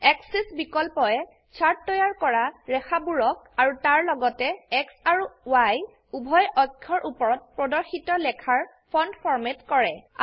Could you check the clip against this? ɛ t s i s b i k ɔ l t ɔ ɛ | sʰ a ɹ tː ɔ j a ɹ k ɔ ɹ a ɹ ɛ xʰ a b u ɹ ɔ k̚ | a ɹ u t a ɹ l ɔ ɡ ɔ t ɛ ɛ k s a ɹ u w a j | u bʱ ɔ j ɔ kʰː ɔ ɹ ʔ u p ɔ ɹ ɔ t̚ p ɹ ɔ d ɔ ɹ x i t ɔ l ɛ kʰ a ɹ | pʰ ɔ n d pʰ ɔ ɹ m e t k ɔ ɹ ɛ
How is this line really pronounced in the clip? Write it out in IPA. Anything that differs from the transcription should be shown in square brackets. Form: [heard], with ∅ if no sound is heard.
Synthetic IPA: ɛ [k] s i s b i k ɔ l [p] ɔ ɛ | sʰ a ɹ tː ɔ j a ɹ k ɔ ɹ a ɹ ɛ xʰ a b u ɹ ɔ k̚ | a ɹ u t a ɹ l ɔ ɡ ɔ t ɛ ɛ k s a ɹ u w a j | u bʱ ɔ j ɔ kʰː ɔ ɹ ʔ u p ɔ ɹ ɔ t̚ p ɹ ɔ d ɔ ɹ x i t ɔ l ɛ kʰ a ɹ | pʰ ɔ n d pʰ ɔ ɹ m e t k ɔ ɹ ɛ